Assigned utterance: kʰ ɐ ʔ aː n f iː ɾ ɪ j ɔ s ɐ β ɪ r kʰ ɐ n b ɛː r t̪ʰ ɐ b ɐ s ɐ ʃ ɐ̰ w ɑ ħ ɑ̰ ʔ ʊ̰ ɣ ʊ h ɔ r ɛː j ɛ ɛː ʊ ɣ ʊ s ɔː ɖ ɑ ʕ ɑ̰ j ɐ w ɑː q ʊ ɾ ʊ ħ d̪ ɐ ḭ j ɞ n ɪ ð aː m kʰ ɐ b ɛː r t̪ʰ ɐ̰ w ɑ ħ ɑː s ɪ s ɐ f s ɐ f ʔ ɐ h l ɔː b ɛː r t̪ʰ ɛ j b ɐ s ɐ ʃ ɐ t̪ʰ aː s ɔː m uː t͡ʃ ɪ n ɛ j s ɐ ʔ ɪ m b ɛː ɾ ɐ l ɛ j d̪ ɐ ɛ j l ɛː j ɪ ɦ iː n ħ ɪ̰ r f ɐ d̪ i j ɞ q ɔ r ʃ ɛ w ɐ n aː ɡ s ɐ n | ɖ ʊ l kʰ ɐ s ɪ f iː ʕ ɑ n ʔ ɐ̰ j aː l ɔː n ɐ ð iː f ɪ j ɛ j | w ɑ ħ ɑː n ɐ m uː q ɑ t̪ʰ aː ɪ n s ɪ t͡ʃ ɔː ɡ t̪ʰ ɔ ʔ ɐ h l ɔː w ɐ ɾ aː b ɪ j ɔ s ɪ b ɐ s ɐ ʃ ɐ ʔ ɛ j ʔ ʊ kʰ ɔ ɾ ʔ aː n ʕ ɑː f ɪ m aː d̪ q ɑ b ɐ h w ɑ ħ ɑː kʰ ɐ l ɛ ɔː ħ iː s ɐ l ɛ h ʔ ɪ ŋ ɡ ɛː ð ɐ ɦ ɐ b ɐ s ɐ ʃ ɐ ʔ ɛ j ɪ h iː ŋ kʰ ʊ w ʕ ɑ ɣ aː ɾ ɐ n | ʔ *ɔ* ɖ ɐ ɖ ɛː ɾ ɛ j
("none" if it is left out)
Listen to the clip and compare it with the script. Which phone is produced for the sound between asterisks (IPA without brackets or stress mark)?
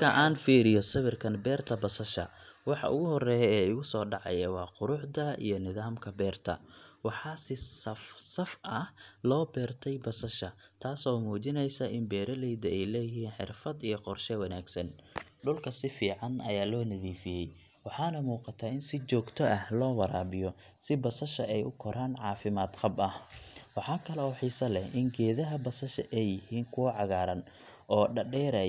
ɔː